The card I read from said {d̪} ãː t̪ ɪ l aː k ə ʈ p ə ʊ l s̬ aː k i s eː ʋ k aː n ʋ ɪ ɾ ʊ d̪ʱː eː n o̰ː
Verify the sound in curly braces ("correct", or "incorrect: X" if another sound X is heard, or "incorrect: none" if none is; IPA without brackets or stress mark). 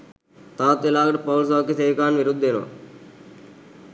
incorrect: t̪